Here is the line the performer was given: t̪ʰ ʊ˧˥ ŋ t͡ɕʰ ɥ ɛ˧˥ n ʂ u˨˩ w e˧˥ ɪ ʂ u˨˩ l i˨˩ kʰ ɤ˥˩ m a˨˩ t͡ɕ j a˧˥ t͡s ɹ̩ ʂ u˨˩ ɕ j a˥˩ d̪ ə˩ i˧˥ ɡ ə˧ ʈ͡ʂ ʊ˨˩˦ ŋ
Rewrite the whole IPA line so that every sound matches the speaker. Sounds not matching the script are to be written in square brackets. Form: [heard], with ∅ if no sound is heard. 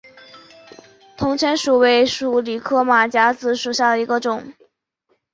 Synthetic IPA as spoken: t̪ʰ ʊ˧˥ ŋ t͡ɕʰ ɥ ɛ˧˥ n ʂ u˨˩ w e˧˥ ɪ ʂ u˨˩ l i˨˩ kʰ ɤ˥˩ m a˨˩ t͡ɕ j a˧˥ t͡s ɹ̩ ʂ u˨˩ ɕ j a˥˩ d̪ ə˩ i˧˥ ɡ ə˧ ʈ͡ʂ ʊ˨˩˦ ŋ